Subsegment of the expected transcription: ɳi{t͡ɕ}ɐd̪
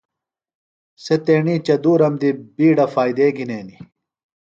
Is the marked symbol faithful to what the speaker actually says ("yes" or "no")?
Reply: yes